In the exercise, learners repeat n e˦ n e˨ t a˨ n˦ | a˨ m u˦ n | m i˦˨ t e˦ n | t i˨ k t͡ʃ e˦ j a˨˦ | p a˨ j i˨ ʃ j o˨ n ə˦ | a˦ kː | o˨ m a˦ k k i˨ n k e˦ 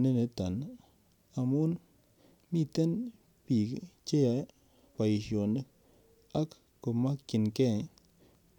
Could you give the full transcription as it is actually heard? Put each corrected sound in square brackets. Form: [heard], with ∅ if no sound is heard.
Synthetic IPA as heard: n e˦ n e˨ t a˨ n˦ | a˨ m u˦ n | m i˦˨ t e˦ n | [p] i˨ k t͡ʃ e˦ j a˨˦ | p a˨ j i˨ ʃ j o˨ n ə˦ | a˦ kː | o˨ m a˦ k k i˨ n k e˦